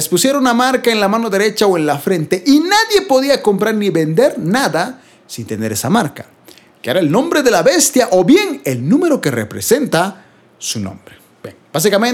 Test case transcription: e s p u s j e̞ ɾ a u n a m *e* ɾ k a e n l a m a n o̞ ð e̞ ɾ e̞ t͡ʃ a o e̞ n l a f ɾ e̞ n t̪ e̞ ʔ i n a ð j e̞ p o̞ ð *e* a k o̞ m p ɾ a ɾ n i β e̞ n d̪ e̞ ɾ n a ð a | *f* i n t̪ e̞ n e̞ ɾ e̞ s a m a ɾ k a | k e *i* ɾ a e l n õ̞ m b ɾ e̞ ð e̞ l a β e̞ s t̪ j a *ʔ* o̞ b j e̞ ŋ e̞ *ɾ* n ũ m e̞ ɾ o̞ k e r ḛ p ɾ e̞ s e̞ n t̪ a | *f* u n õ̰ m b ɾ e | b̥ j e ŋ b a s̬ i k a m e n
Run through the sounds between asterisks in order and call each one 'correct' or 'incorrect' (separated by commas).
incorrect, incorrect, incorrect, incorrect, correct, incorrect, incorrect